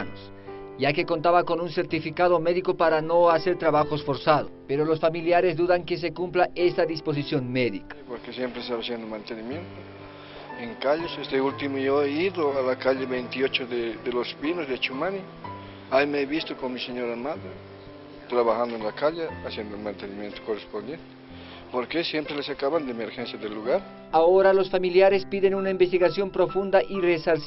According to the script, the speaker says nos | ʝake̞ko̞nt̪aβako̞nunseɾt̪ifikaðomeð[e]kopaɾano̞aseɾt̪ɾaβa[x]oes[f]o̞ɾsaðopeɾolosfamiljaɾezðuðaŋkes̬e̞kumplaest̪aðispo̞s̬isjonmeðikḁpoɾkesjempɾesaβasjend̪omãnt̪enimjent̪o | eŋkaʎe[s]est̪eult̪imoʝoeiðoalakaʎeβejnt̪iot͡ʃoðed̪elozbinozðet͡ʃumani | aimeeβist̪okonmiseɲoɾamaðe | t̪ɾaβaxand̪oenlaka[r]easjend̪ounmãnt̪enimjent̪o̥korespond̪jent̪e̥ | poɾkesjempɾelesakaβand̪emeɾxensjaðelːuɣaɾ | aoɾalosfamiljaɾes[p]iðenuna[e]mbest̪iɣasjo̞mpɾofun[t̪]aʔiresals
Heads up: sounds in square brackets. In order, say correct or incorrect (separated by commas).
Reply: incorrect, correct, correct, correct, incorrect, correct, incorrect, incorrect